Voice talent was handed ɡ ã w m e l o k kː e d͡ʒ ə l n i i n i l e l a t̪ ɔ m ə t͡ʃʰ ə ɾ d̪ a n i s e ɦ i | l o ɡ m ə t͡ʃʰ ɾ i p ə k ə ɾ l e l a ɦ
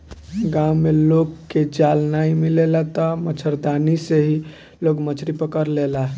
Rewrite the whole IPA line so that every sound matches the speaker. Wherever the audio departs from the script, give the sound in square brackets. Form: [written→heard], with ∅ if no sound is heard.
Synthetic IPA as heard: ɡ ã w m e l o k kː e d͡ʒ [ə→a] l n [i→a] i [n→m] i l e l a t̪ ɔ m ə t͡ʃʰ ə ɾ d̪ a n i s e ɦ i | l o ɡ m ə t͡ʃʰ ɾ i p ə k ə ɾ l e l a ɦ